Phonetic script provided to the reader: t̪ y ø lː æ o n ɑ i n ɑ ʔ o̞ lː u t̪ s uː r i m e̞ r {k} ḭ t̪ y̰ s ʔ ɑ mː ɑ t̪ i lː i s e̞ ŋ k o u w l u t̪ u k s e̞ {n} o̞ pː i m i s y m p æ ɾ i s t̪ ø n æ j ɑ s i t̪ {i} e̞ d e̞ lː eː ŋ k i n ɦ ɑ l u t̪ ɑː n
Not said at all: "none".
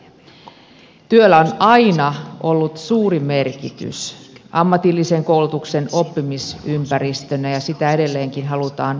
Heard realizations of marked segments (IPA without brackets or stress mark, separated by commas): k, n, æ